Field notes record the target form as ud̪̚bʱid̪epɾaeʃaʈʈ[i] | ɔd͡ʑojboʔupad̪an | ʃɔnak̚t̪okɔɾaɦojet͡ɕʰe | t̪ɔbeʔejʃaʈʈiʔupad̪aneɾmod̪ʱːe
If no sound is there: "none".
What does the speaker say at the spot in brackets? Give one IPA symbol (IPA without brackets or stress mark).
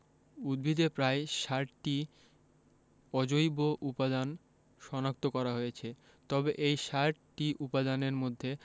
i